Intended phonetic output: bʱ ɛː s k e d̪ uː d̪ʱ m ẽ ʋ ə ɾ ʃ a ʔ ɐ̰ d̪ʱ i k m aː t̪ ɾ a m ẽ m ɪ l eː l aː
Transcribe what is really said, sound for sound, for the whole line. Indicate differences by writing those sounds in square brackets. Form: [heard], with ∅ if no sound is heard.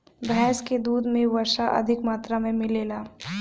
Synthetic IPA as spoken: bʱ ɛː s k e d̪ uː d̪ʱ m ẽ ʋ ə ɾ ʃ a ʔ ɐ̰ d̪ʱ [ɪ] k m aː t̪ ɾ a m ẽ m ɪ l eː l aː